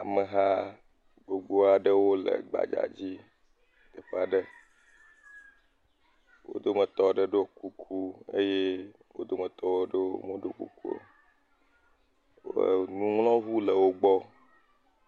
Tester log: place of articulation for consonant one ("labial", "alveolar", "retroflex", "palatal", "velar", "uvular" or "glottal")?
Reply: labial